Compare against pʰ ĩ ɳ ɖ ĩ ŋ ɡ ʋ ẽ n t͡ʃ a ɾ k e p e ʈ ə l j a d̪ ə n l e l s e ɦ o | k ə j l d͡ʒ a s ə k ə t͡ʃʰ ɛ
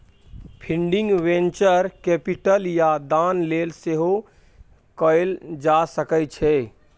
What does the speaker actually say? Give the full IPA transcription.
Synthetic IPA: pʰ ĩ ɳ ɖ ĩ ŋ ɡ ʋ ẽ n t͡ʃ ə ɾ k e p i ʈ ə l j a d̪ a n l e l s e ɦ o | k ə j l d͡ʒ a s ə k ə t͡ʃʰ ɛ